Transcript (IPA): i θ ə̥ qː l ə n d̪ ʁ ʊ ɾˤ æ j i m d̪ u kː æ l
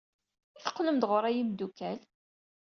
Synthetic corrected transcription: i θ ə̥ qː l ə m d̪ ʁ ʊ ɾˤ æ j i m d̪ u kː æ l